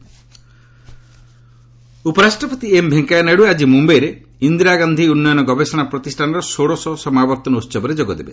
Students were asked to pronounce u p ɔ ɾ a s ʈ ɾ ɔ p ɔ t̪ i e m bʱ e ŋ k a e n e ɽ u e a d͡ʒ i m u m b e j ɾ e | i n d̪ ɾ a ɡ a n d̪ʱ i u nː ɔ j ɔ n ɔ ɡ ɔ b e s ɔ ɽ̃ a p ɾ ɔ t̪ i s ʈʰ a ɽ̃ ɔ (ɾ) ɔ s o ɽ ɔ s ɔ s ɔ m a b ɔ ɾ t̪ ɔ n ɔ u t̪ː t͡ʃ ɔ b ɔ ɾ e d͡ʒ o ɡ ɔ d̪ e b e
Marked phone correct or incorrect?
correct